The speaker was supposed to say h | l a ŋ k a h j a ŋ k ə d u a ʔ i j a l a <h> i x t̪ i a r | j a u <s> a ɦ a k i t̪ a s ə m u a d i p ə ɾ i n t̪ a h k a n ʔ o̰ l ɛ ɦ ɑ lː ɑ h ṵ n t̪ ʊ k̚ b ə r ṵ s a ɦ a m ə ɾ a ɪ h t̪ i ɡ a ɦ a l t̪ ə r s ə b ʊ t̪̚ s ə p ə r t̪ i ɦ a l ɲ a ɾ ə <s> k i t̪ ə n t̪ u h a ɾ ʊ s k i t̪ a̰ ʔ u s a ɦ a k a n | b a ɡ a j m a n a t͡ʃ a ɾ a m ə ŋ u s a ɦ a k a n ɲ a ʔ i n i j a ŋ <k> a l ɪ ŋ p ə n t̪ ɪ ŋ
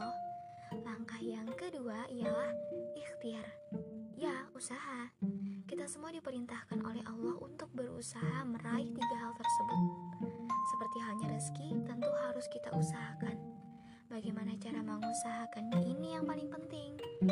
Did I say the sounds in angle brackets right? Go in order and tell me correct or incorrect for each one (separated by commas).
correct, correct, correct, incorrect